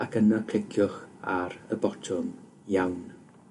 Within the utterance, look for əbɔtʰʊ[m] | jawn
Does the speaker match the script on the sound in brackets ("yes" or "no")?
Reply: yes